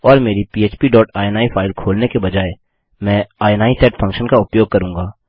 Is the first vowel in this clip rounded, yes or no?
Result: yes